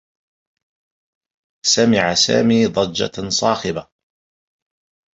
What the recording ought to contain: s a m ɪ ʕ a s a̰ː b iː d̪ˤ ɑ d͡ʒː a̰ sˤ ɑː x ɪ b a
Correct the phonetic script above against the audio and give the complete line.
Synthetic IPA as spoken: s a m ɪ ʕ a s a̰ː m iː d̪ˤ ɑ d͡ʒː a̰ sˤ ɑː x ɪ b a